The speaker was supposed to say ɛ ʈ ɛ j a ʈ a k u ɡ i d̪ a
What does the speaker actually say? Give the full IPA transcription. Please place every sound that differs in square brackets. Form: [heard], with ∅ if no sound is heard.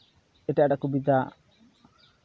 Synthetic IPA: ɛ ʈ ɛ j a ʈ a k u [b] i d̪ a